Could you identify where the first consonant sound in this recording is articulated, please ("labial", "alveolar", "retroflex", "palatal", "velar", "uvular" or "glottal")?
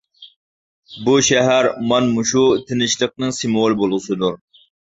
labial